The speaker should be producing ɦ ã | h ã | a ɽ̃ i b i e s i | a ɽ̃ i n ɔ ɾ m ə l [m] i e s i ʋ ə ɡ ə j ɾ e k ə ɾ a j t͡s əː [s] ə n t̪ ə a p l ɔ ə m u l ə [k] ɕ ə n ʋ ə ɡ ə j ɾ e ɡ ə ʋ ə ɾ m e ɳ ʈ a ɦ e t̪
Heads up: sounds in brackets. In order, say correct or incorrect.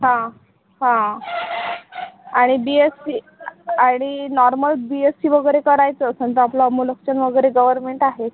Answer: incorrect, correct, correct

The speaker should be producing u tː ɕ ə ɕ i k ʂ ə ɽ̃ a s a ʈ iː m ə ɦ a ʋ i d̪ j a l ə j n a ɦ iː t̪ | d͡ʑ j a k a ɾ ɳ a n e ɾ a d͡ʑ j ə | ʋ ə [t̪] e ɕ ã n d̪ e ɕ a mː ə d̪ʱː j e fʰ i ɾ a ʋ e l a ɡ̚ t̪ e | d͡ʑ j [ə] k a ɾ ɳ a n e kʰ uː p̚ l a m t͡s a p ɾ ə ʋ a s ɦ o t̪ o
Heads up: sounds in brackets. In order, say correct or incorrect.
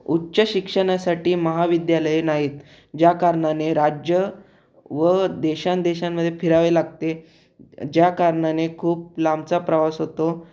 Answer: incorrect, incorrect

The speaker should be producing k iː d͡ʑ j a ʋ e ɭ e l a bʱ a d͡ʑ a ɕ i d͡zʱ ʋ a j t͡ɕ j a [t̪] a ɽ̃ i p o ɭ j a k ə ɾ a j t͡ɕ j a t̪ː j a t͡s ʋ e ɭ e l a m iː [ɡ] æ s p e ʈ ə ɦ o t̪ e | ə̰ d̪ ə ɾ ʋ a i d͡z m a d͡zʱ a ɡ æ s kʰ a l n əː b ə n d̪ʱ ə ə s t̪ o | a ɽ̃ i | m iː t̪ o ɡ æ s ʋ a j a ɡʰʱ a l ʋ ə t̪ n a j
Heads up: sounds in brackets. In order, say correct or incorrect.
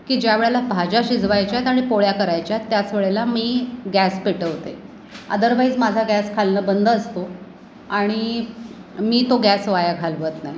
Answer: correct, correct

